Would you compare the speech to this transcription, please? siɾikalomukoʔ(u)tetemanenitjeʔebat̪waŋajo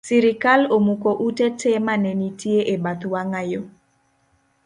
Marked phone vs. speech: correct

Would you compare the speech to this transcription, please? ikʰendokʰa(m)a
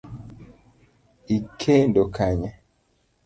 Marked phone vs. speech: incorrect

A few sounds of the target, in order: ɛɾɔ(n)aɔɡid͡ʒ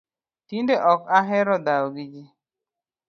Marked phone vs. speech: incorrect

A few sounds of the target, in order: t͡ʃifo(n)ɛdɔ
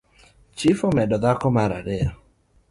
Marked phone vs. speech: incorrect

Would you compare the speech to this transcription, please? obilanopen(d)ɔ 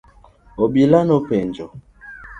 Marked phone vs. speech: incorrect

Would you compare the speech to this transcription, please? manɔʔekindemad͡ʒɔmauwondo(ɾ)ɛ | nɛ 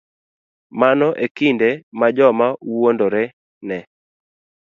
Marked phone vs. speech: correct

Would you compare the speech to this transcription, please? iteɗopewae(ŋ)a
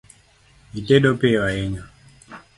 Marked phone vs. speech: incorrect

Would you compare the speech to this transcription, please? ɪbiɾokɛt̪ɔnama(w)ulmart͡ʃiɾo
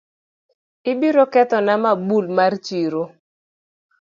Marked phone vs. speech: incorrect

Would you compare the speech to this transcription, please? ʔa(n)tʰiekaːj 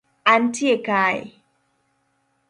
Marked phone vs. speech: correct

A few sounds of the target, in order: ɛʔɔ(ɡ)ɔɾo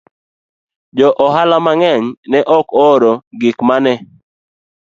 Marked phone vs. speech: incorrect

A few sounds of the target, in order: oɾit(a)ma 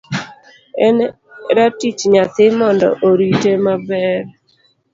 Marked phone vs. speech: incorrect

